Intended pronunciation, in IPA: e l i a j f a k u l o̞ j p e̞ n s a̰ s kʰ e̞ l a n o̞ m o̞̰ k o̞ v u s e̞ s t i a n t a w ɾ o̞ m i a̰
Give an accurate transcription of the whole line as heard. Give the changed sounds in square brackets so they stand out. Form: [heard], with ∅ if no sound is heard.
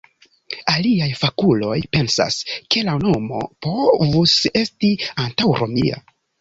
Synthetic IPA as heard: [a] l i a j f a k u l o̞ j p e̞ n s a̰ s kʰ e̞ l a n o̞ m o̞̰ [p] o̞ v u s e̞ s t i a n t a w ɾ o̞ m i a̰

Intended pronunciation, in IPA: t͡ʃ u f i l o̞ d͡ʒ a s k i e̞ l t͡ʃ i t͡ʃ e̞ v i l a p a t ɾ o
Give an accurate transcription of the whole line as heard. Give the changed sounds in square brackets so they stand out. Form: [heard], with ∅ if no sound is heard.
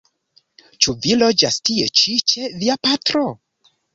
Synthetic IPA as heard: t͡ʃ u [v] i l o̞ d͡ʒ a s [t] i e̞ [∅] t͡ʃ i t͡ʃ e̞ v i [∅] a p a t ɾ o

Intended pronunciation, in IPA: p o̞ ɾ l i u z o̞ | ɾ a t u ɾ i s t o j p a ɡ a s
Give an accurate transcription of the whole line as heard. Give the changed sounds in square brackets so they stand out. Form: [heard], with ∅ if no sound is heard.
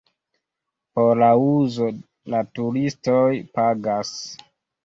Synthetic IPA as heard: p o̞ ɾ l [a] u z o̞ | [l] a t u ɾ i s t o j p a ɡ a s

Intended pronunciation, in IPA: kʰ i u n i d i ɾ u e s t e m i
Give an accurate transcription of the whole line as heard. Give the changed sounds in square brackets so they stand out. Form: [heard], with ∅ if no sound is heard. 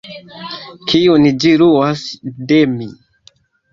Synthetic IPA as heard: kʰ i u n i [d͡ʒ] i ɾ u [a] s [d] e m i

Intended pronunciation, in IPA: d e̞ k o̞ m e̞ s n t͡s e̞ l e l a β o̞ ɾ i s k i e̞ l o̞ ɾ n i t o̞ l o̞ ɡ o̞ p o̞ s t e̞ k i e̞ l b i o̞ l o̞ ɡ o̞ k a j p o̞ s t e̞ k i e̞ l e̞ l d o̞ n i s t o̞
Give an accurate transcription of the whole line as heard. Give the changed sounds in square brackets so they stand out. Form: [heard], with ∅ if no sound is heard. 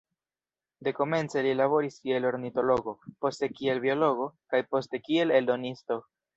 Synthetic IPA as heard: d e̞ k o̞ m e̞ [∅] n t͡s e̞ l [i] l a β o̞ ɾ i s k i e̞ l o̞ ɾ n i t o̞ l o̞ ɡ o̞ p o̞ s t e̞ k i e̞ l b i o̞ l o̞ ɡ o̞ k a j p o̞ s t e̞ k i e̞ l e̞ l d o̞ n i s t o̞

